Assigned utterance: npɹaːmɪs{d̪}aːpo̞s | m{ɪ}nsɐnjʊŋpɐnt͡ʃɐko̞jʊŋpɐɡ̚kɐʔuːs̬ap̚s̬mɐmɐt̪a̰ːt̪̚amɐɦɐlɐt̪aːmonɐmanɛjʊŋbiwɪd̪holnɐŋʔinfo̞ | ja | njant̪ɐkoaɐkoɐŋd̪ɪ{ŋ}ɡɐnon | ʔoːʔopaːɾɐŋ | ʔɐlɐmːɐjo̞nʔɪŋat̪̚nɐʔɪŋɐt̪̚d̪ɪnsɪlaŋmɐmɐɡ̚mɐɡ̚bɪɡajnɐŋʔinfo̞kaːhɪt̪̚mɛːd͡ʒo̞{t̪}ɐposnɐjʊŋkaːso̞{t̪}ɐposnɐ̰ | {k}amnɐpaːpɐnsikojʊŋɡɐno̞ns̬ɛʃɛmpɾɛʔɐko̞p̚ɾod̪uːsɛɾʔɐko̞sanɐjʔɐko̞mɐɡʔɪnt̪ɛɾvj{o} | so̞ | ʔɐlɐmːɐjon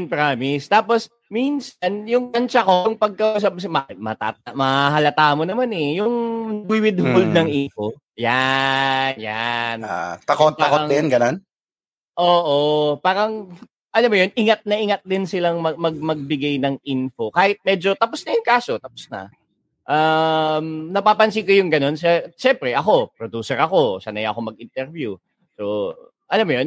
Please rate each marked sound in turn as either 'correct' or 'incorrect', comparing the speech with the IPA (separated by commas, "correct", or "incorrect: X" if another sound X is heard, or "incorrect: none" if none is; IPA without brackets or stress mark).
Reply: incorrect: t̪, incorrect: i, incorrect: n, correct, correct, incorrect: ʔ, incorrect: u